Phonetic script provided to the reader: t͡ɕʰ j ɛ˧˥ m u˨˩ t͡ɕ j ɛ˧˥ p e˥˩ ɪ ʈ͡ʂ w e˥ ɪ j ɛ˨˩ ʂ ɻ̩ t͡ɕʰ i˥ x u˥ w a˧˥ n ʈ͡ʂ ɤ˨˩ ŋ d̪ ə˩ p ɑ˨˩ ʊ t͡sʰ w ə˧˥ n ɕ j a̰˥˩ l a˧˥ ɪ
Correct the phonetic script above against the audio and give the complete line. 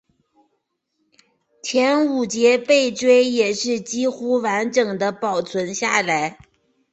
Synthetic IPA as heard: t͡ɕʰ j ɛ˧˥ n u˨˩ t͡ɕ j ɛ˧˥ p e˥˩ ɪ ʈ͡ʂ w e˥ ɪ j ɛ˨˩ ʂ ɻ̩ t͡ɕ i˥ x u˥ w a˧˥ n ʈ͡ʂ ɤ˨˩ ŋ d̪ ə˦ p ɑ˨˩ ʊ t͡sʰ w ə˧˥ n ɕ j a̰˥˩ l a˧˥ ɪ